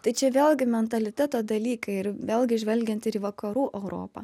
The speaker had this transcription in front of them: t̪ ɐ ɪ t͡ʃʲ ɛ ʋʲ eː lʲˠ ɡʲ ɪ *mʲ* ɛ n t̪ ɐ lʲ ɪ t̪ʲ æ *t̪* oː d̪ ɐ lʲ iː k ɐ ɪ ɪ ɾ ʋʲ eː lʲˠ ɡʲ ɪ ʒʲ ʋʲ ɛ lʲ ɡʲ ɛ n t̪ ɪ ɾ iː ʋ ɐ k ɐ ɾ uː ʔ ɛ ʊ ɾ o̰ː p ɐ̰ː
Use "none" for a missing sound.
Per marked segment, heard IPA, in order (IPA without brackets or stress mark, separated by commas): mʲ, t̪